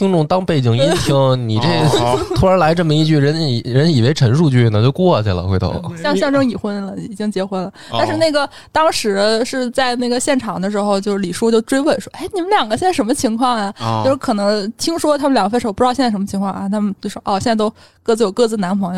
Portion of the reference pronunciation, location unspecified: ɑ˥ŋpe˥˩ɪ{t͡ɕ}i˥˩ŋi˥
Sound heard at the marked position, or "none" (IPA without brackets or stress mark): t͡ɕ